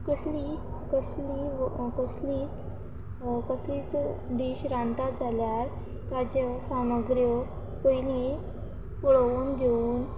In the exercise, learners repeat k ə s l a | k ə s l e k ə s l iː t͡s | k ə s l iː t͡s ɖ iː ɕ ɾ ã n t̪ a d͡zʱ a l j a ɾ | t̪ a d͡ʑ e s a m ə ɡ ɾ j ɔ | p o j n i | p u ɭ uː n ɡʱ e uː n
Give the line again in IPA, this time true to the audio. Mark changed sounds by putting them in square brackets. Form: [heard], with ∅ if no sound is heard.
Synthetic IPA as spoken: k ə s l [i] | k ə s l [i] k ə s l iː t͡s | k ə s l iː t͡s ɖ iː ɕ ɾ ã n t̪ a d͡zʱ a l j a ɾ | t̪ a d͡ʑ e s a m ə ɡ ɾ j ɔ | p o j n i | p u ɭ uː n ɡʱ e uː n

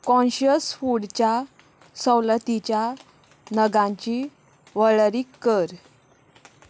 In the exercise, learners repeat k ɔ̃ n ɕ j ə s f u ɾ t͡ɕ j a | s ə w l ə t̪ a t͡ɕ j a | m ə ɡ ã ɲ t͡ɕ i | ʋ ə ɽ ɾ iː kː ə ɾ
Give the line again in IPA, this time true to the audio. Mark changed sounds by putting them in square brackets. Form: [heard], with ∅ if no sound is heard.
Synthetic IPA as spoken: k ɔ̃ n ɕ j ə s f u [ɽ] t͡ɕ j a | s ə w l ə t̪ [i] t͡ɕ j a | [n] ə ɡ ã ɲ t͡ɕ i | ʋ ə [ɭ] ɾ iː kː ə ɾ

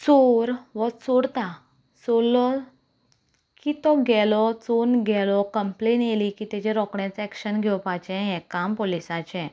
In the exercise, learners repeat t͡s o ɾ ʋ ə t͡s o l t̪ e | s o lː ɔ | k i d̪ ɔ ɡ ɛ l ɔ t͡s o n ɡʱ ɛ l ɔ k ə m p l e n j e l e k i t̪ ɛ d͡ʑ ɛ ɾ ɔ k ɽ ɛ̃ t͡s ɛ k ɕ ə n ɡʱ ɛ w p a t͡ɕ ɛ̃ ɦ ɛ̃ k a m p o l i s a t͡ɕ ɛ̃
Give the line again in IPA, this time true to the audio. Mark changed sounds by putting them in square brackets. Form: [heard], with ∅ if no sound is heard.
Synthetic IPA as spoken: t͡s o ɾ ʋ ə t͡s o [ɽ] t̪ [a] | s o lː ɔ | k i [t̪] ɔ ɡ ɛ l ɔ t͡s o n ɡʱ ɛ l ɔ k ə m p l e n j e l [i] k i t̪ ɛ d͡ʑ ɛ ɾ ɔ k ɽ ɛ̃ t͡s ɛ k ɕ ə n ɡʱ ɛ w p a t͡ɕ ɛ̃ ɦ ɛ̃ k a m p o l i s a t͡ɕ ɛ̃

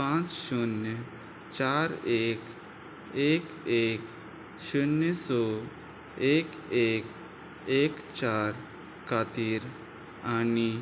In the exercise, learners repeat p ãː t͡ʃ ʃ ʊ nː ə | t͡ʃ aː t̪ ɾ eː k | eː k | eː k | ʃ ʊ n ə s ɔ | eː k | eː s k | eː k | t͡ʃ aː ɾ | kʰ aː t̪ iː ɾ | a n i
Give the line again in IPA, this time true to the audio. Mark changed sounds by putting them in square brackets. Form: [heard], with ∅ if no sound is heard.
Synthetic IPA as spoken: p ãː t͡ʃ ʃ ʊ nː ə | t͡ʃ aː [∅] ɾ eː k | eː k | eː k | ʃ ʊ n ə s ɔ | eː k | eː [∅] k | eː k | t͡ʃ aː ɾ | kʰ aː t̪ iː ɾ | a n i

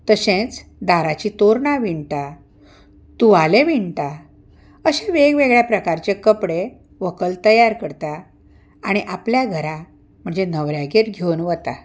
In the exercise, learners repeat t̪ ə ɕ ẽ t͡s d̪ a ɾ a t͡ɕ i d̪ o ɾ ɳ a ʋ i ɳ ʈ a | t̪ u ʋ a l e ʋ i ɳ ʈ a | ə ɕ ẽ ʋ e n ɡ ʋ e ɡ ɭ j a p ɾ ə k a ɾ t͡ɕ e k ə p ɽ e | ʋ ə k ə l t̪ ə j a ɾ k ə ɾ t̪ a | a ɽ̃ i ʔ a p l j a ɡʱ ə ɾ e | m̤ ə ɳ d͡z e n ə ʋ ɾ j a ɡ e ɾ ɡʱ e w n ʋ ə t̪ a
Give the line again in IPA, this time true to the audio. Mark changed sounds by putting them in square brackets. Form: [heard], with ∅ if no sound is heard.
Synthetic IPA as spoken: t̪ ə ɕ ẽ t͡s d̪ a ɾ a t͡ɕ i [t̪] o ɾ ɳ a ʋ i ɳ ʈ a | t̪ u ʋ a l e ʋ i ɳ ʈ a | ə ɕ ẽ ʋ e [∅] ɡ ʋ e ɡ ɭ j a p ɾ ə k a ɾ t͡ɕ e k ə p ɽ e | ʋ ə k ə l t̪ ə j a ɾ k ə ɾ t̪ a | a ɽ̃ i ʔ a p l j a ɡʱ ə ɾ [a] | m̤ ə ɳ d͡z e n ə ʋ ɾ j a ɡ e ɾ ɡʱ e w n ʋ ə t̪ a

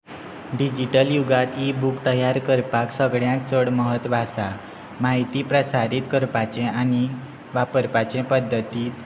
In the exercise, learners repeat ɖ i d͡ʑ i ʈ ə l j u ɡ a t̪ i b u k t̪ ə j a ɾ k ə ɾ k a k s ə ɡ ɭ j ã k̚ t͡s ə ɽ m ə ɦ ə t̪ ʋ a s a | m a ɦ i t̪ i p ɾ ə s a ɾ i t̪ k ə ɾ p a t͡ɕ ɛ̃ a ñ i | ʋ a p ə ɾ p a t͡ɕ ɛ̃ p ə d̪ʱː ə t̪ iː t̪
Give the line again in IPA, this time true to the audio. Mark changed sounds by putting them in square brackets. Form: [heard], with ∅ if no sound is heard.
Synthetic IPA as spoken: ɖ i d͡ʑ i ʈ ə l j u ɡ a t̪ i b u k t̪ ə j a ɾ k ə ɾ [p] a k s ə ɡ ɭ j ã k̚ t͡s ə ɽ m ə ɦ ə t̪ ʋ a s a | m a ɦ i t̪ i p ɾ ə s a ɾ i t̪ k ə ɾ p a t͡ɕ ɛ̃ a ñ i | ʋ a p ə ɾ p a t͡ɕ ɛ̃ p ə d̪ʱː ə t̪ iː t̪

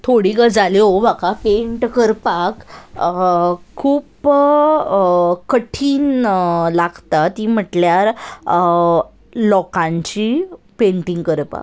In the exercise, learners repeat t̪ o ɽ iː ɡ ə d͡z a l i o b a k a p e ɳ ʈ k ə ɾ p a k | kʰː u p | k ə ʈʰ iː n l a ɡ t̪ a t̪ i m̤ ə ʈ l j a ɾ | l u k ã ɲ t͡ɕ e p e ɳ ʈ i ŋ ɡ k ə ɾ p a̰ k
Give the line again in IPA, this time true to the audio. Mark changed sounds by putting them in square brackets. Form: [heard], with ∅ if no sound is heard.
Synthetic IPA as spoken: [t̪ʰ] o ɽ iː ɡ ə d͡z a l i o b a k a p e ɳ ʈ k ə ɾ p a k | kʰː [uː] p | k ə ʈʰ iː n l a ɡ t̪ a t̪ i m̤ ə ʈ l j a ɾ | l [ɔ] k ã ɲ t͡ɕ [i] p e ɳ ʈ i ŋ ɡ k ə ɾ p a̰ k

